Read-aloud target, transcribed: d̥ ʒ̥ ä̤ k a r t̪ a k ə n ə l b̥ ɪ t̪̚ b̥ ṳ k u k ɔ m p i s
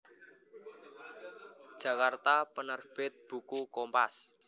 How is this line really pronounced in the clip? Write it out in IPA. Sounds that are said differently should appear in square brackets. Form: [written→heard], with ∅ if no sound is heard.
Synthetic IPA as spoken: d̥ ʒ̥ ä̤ k a r t̪ a [k→p] ə n ə [l→r] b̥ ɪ t̪̚ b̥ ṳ k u k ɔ m p [i→a] s